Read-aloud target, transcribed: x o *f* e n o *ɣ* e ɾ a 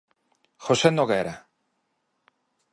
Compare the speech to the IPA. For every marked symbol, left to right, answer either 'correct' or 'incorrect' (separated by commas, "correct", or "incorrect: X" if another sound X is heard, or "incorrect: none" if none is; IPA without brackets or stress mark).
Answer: incorrect: s, correct